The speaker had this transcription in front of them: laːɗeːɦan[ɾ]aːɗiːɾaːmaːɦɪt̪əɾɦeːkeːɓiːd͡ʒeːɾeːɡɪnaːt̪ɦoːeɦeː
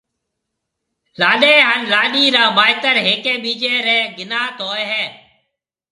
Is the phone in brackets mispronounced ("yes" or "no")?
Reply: yes